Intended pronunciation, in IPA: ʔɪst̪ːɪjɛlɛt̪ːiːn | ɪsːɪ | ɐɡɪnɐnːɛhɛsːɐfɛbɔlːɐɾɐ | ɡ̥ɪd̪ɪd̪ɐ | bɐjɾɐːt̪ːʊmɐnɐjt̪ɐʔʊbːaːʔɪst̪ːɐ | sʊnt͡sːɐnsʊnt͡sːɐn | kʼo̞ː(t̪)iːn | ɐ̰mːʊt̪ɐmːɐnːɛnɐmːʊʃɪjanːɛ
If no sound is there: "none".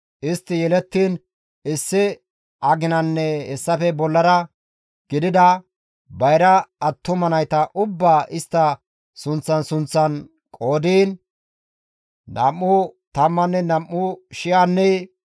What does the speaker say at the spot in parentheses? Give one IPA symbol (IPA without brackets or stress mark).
d̪